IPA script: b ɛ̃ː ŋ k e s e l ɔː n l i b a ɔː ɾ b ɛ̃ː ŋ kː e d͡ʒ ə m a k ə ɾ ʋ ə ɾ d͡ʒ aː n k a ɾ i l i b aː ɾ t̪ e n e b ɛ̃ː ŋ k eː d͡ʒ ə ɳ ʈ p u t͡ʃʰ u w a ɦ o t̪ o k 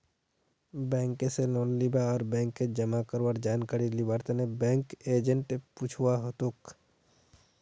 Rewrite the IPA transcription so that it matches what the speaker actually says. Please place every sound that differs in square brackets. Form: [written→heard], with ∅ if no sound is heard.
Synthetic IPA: b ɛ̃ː ŋ k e s e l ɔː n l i b a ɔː ɾ b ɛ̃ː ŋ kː e d͡ʒ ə m a k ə ɾ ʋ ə ɾ d͡ʒ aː n k a ɾ i l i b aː ɾ t̪ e n e b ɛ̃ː ŋ k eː d͡ʒ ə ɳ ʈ p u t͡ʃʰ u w a ɦ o t̪ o k